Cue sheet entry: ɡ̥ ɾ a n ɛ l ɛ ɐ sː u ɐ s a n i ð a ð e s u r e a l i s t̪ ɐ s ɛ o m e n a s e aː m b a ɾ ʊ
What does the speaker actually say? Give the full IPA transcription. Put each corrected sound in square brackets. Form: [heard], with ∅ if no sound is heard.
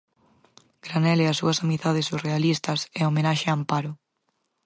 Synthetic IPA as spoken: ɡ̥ ɾ a n ɛ l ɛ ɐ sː u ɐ s a [m] i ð a ð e s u r e a l i s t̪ ɐ s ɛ o m e n a [ʃ] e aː m [p] a ɾ ʊ